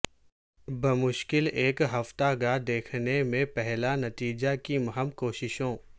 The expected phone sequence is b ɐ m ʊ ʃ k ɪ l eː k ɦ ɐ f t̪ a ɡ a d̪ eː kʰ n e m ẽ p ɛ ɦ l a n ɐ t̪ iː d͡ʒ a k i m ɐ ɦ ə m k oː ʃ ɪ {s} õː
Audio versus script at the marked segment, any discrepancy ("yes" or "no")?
yes